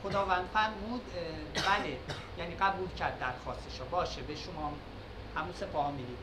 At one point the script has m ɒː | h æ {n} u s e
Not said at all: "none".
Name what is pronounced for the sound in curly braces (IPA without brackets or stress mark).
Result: m